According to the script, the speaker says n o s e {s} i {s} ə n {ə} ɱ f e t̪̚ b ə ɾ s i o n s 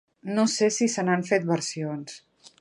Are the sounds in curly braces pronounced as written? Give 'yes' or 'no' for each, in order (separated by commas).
yes, yes, no